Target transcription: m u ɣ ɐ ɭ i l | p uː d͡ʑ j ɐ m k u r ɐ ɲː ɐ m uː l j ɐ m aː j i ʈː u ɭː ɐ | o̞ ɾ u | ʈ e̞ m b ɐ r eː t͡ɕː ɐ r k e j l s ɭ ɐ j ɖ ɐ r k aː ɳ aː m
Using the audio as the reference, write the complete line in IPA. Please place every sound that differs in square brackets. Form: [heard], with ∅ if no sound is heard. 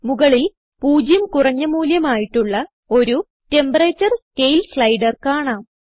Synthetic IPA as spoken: m u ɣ ɐ ɭ i l | p uː d͡ʑ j ɐ m k u r ɐ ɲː ɐ m uː l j ɐ m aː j i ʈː u ɭː ɐ | o̞ ɾ u | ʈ e̞ m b ɐ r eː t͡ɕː ɐ r k e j l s ɭ ɐ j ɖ ɐ r k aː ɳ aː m